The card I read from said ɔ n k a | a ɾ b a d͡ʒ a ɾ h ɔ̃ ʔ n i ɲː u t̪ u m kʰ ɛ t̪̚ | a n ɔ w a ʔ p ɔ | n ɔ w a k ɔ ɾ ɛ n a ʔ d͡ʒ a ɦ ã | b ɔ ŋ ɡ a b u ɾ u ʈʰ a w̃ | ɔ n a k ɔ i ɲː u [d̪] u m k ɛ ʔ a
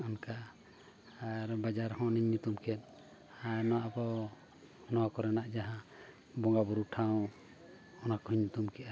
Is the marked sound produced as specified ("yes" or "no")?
no